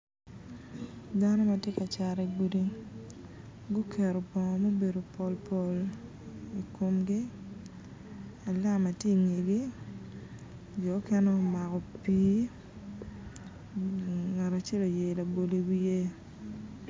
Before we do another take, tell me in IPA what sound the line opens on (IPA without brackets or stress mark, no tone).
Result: d